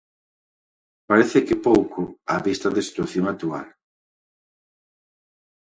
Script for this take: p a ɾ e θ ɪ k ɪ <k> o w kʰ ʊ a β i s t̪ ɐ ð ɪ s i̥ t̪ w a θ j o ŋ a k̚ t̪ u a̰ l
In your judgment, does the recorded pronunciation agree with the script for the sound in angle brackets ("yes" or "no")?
no